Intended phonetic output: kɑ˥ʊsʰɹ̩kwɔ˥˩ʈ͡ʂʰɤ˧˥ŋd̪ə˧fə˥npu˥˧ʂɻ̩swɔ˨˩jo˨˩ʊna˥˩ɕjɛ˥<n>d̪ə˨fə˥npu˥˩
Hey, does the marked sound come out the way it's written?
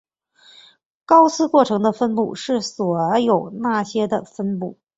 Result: no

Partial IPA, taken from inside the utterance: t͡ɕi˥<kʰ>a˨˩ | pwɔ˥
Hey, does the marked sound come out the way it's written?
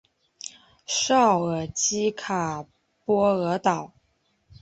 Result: yes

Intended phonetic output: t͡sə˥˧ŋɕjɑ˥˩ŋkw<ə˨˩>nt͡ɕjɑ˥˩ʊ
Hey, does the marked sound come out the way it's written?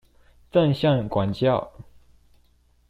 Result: no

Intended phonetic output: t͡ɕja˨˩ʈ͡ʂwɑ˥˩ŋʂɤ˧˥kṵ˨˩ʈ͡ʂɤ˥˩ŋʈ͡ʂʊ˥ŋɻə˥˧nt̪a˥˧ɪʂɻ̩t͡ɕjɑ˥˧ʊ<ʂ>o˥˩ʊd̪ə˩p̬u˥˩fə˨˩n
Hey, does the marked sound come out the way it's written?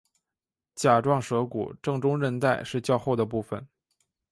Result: no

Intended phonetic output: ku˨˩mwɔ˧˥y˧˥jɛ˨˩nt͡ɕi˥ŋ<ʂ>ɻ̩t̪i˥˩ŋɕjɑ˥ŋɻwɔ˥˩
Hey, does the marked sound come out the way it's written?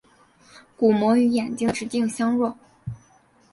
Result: no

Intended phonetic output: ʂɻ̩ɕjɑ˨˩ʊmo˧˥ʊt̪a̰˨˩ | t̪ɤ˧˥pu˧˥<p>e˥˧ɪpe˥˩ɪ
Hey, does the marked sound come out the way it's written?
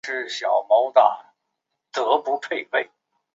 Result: no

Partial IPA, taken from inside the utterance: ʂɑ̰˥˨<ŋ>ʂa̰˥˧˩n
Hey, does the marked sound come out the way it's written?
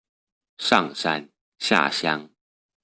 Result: yes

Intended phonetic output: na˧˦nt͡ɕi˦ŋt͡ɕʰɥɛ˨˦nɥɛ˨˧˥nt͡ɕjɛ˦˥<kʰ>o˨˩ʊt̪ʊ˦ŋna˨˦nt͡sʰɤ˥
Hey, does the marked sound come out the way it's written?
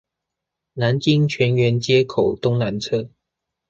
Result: yes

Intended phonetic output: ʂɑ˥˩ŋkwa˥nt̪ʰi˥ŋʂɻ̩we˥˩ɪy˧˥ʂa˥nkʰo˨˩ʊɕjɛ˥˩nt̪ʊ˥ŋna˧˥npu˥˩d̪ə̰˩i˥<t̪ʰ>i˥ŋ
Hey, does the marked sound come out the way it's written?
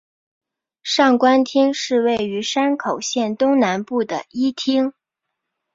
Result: yes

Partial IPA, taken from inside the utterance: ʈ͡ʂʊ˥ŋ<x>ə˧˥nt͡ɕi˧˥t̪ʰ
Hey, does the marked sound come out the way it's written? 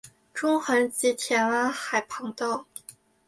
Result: yes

